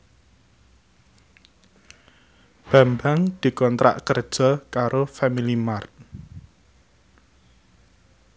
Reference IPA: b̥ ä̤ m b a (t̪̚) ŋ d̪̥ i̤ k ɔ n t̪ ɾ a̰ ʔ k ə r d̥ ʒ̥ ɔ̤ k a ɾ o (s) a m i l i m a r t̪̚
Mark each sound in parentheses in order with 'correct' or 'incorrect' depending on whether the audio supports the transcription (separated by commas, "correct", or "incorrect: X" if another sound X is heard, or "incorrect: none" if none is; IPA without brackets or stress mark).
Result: incorrect: none, incorrect: f